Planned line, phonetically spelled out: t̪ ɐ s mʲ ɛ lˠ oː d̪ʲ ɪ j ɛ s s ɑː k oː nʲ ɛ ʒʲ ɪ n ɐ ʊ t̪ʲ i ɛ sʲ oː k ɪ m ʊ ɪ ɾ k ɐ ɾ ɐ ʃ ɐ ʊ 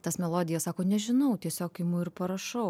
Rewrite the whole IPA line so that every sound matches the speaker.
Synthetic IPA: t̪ ɐ s mʲ ɛ lˠ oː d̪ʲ ɪ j ɛ s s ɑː k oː nʲ ɛ ʒʲ ɪ n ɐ ʊ t̪ʲ i ɛ sʲ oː k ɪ m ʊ ɪ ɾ p ɐ ɾ ɐ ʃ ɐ ʊ